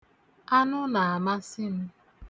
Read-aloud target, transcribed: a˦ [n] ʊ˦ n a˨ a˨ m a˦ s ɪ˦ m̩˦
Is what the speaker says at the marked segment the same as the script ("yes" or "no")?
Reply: yes